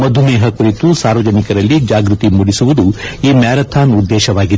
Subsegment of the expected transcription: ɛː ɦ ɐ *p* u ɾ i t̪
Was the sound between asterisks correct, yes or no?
no